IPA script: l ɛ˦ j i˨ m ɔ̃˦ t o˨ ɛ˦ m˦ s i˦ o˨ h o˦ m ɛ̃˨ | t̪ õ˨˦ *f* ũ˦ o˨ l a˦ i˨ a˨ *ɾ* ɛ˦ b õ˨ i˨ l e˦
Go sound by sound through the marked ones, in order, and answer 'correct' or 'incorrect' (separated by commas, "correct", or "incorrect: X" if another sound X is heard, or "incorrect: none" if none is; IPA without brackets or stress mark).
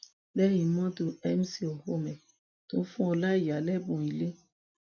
correct, incorrect: l